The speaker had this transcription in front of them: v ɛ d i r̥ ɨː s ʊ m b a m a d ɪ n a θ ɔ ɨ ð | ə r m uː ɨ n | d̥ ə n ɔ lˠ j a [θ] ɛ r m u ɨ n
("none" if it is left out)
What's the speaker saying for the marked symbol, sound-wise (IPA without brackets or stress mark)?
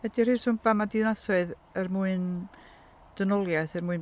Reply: θ